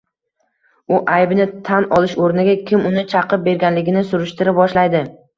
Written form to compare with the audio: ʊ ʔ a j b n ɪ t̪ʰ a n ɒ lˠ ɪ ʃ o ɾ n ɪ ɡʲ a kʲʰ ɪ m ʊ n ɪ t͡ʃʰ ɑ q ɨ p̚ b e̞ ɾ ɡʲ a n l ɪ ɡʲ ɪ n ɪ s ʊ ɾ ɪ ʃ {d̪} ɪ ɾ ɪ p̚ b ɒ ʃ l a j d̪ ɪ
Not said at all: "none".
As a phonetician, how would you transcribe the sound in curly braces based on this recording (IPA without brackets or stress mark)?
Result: t̪